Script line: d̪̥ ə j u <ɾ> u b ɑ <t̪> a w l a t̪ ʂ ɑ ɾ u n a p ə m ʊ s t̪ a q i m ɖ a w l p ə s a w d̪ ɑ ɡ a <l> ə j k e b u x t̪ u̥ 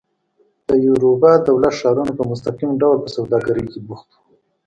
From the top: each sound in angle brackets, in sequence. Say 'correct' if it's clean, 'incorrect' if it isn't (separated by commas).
correct, incorrect, incorrect